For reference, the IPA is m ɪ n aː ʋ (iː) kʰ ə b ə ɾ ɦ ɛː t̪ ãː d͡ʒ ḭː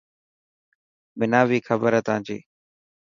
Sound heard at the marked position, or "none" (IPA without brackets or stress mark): iː